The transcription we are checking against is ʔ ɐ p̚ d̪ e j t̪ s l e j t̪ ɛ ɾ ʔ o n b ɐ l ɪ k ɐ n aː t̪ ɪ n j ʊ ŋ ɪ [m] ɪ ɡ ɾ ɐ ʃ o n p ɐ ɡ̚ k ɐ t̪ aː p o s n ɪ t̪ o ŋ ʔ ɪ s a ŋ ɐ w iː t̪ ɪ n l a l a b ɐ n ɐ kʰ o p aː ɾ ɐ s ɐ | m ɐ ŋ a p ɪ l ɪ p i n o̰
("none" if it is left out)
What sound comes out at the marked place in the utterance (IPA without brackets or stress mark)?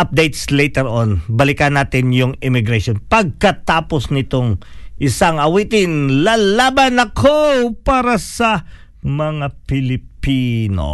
m